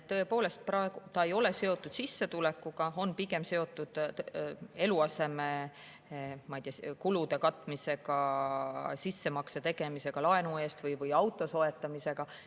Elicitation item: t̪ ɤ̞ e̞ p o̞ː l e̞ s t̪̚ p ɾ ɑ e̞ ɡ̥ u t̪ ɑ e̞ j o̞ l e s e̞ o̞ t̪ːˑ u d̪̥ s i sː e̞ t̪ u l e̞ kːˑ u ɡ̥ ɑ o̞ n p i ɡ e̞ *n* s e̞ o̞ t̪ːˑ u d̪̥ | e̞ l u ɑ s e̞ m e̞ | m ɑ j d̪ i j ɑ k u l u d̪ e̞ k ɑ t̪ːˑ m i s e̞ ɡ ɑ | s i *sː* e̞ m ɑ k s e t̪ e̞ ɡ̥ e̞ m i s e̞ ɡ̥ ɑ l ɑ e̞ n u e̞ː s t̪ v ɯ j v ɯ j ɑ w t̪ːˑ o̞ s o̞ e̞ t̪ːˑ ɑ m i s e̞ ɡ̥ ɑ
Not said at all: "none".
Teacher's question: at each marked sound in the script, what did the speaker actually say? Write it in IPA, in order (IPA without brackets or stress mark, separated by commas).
m, sː